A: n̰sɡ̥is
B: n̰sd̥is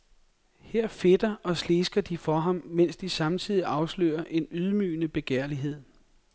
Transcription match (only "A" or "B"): B